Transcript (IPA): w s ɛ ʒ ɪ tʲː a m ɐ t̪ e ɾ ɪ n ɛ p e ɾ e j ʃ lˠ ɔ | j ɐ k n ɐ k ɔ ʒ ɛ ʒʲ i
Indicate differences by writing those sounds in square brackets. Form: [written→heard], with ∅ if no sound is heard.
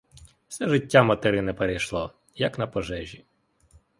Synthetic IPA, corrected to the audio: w s ɛ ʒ ɪ tʲː a m ɐ t̪ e ɾ ɪ n ɛ p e ɾ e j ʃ lˠ ɔ | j ɐ k n ɐ [k→p] ɔ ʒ ɛ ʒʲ i